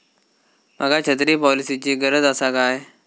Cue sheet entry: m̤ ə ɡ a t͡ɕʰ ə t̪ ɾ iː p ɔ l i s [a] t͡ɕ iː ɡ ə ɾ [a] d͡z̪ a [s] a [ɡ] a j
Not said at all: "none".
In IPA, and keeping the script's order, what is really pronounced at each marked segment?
i, ə, s, k

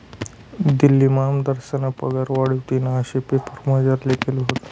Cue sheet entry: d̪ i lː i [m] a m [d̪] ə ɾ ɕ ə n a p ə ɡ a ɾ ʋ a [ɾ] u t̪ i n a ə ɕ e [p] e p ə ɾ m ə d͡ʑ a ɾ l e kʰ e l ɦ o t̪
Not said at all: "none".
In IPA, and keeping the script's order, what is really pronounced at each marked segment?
m, d̪, ɽ, p

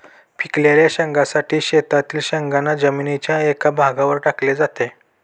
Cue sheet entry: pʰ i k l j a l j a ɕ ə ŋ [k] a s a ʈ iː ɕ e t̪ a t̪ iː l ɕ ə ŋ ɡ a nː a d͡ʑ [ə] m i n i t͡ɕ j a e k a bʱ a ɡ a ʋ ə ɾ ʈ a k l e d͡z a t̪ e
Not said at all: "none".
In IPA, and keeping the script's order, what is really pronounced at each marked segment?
ɡ, ə

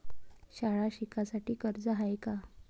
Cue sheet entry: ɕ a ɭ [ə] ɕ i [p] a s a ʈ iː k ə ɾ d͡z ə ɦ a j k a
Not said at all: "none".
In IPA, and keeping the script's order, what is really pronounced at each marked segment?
a, k

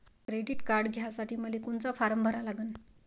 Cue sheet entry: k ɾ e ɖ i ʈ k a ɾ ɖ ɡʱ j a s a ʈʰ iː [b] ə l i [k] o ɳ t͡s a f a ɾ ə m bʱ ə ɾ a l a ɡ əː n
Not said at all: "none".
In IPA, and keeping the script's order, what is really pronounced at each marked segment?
m, k

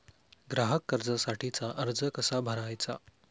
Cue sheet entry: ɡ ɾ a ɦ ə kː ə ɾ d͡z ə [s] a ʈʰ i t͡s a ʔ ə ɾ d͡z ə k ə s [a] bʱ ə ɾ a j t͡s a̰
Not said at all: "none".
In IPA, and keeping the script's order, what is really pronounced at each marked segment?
s, a

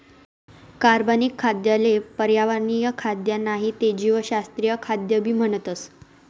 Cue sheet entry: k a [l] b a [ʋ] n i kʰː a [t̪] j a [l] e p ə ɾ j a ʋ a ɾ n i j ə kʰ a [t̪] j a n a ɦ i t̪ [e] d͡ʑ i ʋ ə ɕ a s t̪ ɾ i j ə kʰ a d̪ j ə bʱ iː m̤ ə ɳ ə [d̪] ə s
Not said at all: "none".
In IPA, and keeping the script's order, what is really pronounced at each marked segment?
ɾ, none, d̪, l, d̪, e, t̪

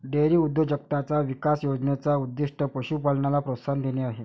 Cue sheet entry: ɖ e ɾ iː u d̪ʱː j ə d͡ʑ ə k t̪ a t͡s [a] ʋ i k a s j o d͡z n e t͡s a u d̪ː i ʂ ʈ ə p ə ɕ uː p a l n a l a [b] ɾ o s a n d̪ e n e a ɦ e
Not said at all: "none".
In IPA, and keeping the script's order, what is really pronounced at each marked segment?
a, p

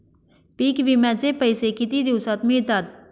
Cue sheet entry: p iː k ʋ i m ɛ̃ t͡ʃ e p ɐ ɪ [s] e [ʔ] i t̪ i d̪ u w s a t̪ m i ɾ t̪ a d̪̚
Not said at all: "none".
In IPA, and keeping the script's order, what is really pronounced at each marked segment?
s, k

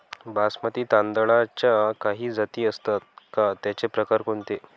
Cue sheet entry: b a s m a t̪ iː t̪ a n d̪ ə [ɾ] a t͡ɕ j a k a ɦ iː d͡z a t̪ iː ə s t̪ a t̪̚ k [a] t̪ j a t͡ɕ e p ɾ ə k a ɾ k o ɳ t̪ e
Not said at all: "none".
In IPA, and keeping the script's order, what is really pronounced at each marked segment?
ɭ, a

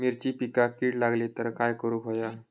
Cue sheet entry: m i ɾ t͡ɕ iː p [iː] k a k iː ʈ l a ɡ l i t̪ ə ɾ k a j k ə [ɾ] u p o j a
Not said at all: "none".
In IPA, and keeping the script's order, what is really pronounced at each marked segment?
i, ɾ

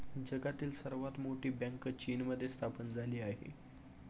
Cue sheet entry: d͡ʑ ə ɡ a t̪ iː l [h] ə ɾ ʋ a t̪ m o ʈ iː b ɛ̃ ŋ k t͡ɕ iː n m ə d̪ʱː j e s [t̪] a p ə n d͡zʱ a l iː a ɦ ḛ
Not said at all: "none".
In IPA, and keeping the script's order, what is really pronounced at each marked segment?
s, t̪ʰ

